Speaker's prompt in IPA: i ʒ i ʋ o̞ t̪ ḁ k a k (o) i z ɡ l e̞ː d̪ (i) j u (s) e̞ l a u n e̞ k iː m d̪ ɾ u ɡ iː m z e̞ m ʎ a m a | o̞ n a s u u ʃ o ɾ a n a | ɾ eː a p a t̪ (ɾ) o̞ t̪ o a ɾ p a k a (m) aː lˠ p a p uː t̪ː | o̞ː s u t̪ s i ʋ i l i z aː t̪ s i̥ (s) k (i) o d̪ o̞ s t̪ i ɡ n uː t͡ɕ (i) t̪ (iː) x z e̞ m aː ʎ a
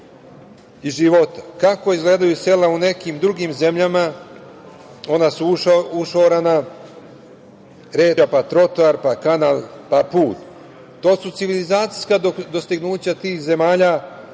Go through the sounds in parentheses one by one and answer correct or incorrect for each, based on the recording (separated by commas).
correct, incorrect, correct, correct, incorrect, correct, incorrect, incorrect, correct